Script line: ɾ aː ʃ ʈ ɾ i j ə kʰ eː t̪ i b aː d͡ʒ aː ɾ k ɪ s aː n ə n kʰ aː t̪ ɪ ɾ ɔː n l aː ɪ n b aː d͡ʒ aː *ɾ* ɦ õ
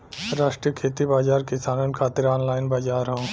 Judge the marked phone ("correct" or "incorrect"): correct